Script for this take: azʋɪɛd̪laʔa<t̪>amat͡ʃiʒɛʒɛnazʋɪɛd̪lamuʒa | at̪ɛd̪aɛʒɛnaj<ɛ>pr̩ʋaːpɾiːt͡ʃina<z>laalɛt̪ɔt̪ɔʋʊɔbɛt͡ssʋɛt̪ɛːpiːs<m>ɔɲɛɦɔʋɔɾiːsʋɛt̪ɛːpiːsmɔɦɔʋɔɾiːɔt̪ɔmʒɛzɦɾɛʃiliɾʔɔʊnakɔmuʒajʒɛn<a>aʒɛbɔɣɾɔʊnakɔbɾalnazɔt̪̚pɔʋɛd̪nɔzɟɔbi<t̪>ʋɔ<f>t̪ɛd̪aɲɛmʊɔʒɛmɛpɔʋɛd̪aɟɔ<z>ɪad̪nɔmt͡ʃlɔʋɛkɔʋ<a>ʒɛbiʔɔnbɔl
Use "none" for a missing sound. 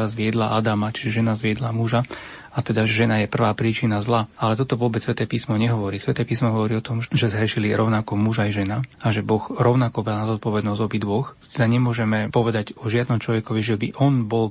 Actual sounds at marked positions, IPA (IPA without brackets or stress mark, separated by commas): d̪, ɛ, z, m, a, d̪, x, ʒ, i